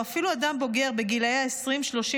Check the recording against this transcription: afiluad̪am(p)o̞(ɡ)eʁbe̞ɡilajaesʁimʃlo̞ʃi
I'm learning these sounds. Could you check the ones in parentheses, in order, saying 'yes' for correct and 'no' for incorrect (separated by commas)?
no, yes